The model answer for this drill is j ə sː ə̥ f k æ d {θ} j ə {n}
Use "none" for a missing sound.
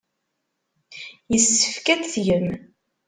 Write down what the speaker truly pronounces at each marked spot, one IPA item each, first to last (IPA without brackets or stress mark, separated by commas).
θ, m